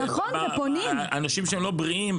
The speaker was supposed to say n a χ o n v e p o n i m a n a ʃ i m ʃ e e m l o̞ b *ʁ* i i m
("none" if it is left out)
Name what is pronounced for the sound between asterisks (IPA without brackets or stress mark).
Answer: ʁ